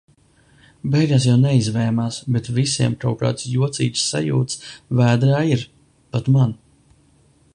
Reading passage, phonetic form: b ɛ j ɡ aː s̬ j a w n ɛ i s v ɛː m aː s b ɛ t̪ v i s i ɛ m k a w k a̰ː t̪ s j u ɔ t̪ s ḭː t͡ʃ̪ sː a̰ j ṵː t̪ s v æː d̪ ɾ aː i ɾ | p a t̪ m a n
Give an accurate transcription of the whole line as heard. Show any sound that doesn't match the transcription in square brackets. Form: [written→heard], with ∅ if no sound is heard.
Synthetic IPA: b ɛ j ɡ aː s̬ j a w n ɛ i [s→z] v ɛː m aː s b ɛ t̪ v i s i ɛ m k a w k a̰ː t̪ s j u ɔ t̪ s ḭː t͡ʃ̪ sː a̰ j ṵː t̪ s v æː d̪ ɾ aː i ɾ | p a t̪ m a n